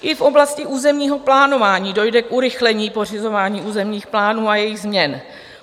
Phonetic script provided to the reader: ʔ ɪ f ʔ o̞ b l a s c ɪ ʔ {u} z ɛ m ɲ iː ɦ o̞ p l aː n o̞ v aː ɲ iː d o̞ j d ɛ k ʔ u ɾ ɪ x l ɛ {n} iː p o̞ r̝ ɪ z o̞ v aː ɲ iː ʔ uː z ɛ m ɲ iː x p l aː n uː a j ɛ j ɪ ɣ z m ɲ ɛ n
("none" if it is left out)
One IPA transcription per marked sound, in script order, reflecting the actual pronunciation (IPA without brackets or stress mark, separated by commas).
uː, ɲ